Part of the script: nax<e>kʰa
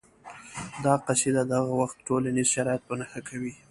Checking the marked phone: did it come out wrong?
yes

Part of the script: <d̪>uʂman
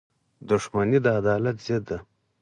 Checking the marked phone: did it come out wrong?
no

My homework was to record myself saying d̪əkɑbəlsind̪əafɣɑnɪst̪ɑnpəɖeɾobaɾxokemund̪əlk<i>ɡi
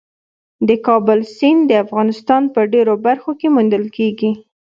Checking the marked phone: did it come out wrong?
yes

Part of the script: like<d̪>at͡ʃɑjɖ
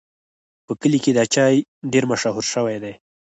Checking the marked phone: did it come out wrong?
no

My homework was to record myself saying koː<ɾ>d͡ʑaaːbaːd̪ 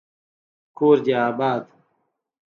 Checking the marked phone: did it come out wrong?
no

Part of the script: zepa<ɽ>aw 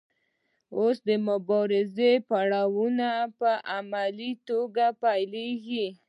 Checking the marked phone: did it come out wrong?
no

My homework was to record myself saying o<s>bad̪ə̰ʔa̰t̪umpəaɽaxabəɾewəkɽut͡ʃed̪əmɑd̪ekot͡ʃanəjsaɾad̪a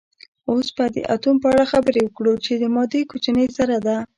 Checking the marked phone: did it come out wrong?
no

